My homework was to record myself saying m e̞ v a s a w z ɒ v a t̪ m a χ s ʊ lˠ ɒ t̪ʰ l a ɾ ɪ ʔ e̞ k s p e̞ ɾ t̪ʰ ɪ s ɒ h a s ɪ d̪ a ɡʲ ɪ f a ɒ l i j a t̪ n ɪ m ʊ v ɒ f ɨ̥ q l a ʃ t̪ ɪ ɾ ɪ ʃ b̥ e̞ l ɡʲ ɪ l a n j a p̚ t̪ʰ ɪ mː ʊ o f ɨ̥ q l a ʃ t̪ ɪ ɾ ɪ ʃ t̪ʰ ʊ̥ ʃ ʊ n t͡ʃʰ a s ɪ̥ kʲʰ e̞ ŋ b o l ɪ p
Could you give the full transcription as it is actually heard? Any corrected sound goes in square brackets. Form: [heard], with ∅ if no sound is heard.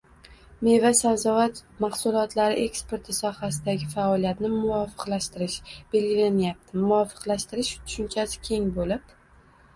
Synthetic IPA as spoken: m e̞ v a s a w z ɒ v a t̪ m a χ s ʊ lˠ ɒ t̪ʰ l a ɾ ɪ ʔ e̞ k s p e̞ ɾ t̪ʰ ɪ s ɒ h a s ɪ d̪ a ɡʲ ɪ f a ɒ l i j a t̪ n ɪ m ʊ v ɒ f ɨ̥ q l a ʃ t̪ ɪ ɾ ɪ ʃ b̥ e̞ l ɡʲ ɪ l a n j a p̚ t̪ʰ ɪ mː ʊ [ɒ] f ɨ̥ q l a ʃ t̪ ɪ ɾ ɪ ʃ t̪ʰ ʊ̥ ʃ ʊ n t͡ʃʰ a s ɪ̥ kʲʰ e̞ ŋ b o l ɪ p

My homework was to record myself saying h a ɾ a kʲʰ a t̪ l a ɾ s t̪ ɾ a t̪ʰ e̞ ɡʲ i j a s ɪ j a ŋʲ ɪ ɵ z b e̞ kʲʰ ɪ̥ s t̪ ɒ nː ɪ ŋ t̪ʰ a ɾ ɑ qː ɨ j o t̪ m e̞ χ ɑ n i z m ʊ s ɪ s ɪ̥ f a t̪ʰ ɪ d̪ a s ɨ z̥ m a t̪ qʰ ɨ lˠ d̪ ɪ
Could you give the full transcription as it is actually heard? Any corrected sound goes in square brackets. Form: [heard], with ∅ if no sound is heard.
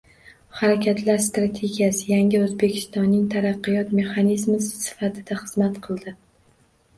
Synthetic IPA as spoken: h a ɾ a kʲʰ a t̪ l a ɾ s t̪ ɾ a t̪ʰ e̞ ɡʲ i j a s ɪ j a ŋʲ ɪ ɵ z b e̞ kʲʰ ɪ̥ s t̪ ɒ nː ɪ ŋ t̪ʰ a ɾ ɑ qː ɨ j [ɒ] t̪ m e̞ χ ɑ n i z m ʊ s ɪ s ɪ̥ f a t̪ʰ ɪ d̪ a [χ] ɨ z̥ m a t̪ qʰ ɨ lˠ d̪ ɪ

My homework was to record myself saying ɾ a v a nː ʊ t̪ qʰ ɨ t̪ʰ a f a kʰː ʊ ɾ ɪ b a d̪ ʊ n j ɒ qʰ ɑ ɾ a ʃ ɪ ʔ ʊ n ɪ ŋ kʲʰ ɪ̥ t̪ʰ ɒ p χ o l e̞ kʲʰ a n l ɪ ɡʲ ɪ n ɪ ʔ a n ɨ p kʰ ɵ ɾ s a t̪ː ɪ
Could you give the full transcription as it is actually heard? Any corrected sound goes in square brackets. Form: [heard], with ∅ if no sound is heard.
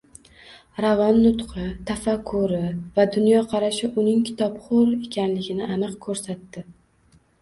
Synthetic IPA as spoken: ɾ a v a nː ʊ t̪ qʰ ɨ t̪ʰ a f a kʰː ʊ ɾ ɪ [v] a d̪ ʊ n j ɒ qʰ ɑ ɾ a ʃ ɪ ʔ ʊ n ɪ ŋ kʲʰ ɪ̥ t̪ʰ ɒ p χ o [ɾ] e̞ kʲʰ a n l ɪ ɡʲ ɪ n ɪ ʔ a n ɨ [q] kʰ ɵ ɾ s a t̪ː ɪ

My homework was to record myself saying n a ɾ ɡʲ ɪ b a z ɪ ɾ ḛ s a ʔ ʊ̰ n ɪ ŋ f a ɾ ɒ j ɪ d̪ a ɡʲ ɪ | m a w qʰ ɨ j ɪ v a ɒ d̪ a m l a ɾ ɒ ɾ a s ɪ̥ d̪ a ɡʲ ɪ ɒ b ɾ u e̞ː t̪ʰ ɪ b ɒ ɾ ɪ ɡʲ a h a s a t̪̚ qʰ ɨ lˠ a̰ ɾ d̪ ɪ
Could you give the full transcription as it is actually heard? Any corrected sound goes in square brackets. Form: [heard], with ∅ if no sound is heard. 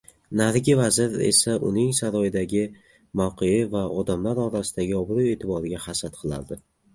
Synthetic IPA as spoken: n a ɾ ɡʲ ɪ [v] a z ɪ ɾ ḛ s a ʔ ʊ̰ n ɪ ŋ [s] a ɾ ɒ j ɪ d̪ a ɡʲ ɪ | m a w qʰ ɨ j ɪ v a ɒ d̪ a m l a ɾ ɒ ɾ a s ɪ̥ d̪ a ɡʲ ɪ ɒ b ɾ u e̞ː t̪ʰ ɪ b ɒ ɾ ɪ ɡʲ a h a s a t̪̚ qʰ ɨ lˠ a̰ ɾ d̪ ɪ

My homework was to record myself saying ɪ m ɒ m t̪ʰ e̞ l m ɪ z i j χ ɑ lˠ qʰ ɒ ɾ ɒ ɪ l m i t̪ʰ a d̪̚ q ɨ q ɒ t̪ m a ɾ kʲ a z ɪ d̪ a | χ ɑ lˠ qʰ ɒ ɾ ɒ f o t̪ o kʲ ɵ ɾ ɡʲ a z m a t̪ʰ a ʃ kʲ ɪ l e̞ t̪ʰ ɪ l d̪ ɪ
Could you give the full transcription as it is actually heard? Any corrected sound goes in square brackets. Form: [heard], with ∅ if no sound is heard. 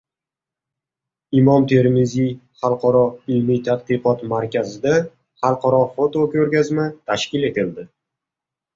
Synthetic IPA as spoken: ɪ m ɒ m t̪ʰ e̞ [ɾ] m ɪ z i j χ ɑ lˠ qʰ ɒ ɾ ɒ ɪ l m i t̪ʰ a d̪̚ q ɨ q ɒ t̪ m a ɾ kʲ a z ɪ d̪ a | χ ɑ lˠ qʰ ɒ ɾ ɒ f o t̪ o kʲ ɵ ɾ ɡʲ a z m a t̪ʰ a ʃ kʲ ɪ l e̞ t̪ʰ ɪ l d̪ ɪ

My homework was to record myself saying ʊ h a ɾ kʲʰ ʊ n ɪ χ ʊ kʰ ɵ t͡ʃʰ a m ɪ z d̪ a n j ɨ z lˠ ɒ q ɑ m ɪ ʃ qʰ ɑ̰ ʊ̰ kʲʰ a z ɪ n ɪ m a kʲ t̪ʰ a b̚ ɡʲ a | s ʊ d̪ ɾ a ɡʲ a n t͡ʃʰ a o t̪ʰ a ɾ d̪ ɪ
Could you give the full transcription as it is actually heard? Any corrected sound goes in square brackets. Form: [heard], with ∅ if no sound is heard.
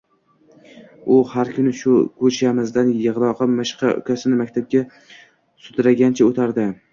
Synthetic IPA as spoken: ʊ h a ɾ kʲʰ ʊ n ɪ [ʃ] ʊ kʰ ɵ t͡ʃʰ a m ɪ z d̪ a n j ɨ [ʁ] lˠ ɒ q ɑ m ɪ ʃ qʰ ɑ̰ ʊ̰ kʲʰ a [s] ɪ n ɪ m a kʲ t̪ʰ a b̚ ɡʲ a | s ʊ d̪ ɾ a ɡʲ a n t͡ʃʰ a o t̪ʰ a ɾ d̪ ɪ

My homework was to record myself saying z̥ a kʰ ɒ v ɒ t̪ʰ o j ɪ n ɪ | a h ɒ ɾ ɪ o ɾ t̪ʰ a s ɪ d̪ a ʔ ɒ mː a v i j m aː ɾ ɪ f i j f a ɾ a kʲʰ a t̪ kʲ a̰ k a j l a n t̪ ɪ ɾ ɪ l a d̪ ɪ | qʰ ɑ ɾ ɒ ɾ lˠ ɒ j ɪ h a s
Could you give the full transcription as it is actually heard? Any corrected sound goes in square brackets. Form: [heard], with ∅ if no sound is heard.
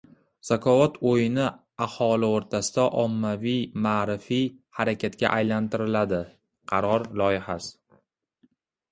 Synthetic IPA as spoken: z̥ a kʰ ɒ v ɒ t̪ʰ o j ɪ n ɪ | a h ɒ [l] ɪ o ɾ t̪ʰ a s ɪ d̪ a ʔ ɒ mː a v i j m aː ɾ ɪ f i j [h] a ɾ a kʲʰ a t̪ kʲ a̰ [ʔ] a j l a n t̪ ɪ ɾ ɪ l a d̪ ɪ | qʰ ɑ ɾ ɒ ɾ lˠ ɒ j ɪ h a s

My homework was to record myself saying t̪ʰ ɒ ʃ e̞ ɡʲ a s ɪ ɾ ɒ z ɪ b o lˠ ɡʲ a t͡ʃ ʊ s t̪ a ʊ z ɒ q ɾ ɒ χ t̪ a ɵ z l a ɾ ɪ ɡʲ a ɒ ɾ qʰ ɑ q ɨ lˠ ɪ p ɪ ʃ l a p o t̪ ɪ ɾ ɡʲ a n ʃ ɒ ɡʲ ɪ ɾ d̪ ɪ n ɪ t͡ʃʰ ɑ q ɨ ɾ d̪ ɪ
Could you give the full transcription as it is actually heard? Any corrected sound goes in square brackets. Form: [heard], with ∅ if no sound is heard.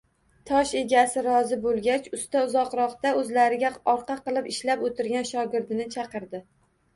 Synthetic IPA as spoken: t̪ʰ ɒ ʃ e̞ ɡʲ a s ɪ ɾ ɒ z ɪ b o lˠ ɡʲ a t͡ʃ ʊ s t̪ a ʊ z ɒ q ɾ ɒ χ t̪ a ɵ z l a ɾ ɪ ɡʲ a ɒ ɾ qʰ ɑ q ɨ lˠ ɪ p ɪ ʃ l a p o t̪ ɪ ɾ ɡʲ a n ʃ ɒ ɡʲ ɪ ɾ d̪ ɪ n ɪ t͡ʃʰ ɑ q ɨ ɾ d̪ ɪ

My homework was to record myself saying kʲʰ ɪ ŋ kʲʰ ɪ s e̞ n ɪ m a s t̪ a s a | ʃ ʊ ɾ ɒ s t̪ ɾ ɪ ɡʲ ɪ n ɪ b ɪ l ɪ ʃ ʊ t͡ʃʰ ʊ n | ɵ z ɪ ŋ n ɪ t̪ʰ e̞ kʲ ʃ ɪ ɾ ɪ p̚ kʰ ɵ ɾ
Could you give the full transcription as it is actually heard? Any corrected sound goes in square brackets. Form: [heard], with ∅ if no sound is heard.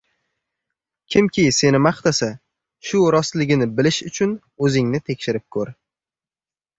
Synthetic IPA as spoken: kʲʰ ɪ [m] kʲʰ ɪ s e̞ n ɪ m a [χ] t̪ a s a | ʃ ʊ ɾ ɒ s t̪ [l] ɪ ɡʲ ɪ n ɪ b ɪ l ɪ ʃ ʊ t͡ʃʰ ʊ n | ɵ z ɪ ŋ n ɪ t̪ʰ e̞ kʲ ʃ ɪ ɾ ɪ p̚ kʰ ɵ ɾ

